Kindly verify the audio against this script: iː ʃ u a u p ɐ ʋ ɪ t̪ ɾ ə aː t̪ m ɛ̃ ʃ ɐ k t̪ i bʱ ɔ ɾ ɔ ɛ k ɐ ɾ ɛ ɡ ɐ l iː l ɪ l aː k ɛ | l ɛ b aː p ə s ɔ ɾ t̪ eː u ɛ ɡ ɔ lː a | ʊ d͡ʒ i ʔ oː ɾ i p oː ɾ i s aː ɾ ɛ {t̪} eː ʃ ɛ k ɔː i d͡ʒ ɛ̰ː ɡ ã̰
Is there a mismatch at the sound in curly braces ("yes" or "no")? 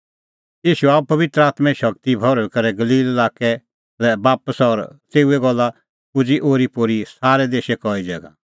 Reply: yes